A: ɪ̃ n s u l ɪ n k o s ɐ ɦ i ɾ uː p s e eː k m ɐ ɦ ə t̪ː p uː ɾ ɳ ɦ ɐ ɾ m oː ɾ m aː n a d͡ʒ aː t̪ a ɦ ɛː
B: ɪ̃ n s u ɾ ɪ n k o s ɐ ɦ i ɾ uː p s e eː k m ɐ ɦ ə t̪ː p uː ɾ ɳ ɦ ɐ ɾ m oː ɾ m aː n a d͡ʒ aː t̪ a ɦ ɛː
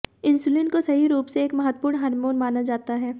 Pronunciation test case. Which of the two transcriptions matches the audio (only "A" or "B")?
A